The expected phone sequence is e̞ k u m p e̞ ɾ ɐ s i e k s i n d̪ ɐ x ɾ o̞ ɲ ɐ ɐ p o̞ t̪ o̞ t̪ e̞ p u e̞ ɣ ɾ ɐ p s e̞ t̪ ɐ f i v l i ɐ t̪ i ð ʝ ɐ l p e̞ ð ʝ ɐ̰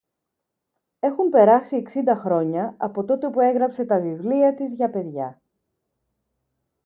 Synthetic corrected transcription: e̞ x u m p e̞ ɾ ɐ s i e k s i n d̪ ɐ x ɾ o̞ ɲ ɐ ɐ p o̞ t̪ o̞ t̪ e̞ p u e̞ ɣ ɾ ɐ p s e̞ t̪ ɐ v i v l i ɐ t̪ i z ʝ ɐ p e̞ ð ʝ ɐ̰